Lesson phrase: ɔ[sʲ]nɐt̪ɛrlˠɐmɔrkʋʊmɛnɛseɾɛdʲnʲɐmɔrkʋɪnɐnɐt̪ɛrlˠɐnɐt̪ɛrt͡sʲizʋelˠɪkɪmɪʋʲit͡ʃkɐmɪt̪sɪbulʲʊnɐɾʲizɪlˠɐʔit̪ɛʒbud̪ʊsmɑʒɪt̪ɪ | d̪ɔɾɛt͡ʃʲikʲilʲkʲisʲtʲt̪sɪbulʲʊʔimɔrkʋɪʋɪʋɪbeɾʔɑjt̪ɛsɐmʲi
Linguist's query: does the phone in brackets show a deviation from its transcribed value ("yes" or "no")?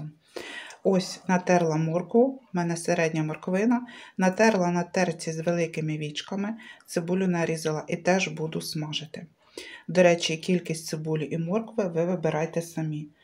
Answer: no